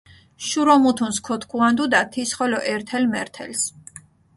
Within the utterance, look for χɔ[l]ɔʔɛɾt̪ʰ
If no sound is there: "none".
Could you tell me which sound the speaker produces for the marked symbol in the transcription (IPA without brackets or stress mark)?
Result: l